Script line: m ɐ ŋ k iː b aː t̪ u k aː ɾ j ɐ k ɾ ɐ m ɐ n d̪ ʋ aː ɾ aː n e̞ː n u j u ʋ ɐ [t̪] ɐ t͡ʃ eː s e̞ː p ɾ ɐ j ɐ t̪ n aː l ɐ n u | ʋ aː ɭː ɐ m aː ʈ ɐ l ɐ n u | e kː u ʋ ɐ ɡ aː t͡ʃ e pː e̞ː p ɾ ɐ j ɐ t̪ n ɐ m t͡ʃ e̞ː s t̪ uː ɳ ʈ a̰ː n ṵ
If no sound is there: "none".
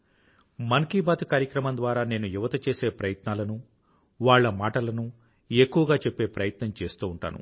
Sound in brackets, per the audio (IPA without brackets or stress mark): t̪